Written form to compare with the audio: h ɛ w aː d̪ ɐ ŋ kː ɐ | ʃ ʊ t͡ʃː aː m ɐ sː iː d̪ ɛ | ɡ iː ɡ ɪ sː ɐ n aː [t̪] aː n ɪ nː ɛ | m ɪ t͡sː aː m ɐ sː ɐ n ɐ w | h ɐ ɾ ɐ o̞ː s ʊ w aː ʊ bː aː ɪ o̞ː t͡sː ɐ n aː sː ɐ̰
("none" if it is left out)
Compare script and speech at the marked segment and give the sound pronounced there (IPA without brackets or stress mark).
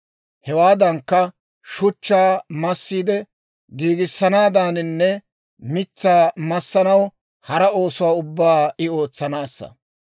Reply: d̪